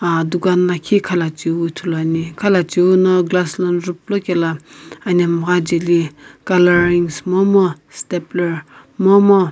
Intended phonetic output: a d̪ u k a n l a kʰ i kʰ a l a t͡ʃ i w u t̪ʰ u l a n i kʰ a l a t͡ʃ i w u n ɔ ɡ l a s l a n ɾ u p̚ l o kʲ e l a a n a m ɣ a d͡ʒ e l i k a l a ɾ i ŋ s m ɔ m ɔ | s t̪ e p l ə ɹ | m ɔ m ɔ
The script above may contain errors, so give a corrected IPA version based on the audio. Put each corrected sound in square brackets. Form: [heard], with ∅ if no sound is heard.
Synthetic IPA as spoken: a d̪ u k a n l a kʰ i kʰ a l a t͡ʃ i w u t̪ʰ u l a n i kʰ a l a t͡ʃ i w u n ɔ ɡ l a s l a n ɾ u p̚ l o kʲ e l a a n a m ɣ a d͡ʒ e l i k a l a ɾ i ŋ s m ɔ m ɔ | s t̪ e p l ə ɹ | m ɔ m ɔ